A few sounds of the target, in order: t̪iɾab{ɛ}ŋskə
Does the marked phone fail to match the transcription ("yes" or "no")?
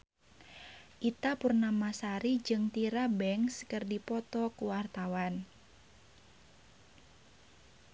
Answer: no